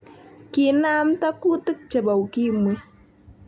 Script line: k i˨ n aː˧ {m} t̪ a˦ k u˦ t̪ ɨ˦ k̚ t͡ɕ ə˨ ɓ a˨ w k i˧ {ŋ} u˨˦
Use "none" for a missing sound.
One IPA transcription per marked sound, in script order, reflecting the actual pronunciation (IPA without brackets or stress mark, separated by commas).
m, m